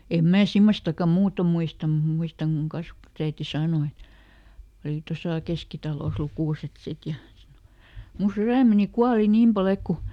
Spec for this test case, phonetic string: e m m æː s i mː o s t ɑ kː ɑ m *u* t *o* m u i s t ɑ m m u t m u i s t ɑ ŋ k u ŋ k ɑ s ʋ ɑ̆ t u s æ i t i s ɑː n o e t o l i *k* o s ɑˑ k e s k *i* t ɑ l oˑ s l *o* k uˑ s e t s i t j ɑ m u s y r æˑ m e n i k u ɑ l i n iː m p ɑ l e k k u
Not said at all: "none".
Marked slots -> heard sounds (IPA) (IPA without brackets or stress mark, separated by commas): uː, o, t, i, u